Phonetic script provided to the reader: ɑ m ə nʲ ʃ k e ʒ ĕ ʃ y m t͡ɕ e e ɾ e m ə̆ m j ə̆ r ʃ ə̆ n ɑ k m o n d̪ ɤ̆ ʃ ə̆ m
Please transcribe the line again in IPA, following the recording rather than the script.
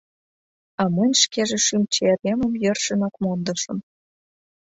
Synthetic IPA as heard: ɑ m ə nʲ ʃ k e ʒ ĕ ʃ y m t͡ɕ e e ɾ e m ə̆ m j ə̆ r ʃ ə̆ n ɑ k m o n d̪ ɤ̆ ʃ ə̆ m